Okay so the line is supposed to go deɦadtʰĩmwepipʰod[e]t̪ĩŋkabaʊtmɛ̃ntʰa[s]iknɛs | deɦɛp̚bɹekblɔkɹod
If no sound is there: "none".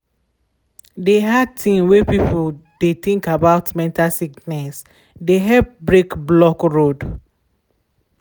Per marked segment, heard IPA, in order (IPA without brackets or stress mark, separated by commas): e, s